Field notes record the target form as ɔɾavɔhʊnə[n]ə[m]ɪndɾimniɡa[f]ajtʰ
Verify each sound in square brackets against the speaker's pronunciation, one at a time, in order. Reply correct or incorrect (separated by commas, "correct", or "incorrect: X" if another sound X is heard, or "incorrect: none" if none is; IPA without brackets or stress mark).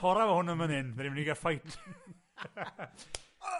incorrect: m, incorrect: n, correct